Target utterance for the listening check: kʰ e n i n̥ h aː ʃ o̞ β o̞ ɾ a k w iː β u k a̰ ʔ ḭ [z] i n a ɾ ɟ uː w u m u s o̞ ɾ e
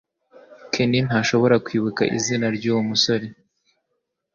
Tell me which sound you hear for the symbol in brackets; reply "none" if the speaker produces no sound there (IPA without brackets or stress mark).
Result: z